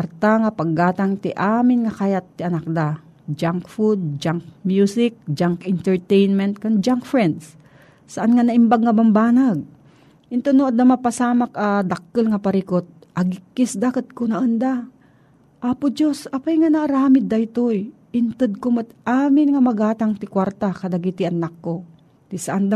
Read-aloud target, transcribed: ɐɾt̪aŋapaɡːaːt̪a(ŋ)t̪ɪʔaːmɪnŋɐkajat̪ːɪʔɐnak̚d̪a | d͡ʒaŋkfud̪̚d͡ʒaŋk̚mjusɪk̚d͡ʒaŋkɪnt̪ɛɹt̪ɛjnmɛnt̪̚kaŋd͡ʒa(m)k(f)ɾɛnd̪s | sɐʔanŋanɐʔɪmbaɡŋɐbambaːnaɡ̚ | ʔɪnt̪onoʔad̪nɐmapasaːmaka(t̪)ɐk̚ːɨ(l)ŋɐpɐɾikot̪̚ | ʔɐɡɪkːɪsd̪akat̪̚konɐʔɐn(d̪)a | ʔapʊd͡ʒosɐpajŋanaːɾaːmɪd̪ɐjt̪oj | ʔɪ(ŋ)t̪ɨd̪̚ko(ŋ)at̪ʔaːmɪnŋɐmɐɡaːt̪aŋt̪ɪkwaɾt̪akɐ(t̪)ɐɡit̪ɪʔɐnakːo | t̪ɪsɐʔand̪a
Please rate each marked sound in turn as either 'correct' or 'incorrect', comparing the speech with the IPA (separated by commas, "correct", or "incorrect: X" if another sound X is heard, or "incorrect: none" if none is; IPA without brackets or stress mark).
correct, incorrect: ŋ, correct, incorrect: d̪, correct, correct, incorrect: n, incorrect: m, incorrect: d̪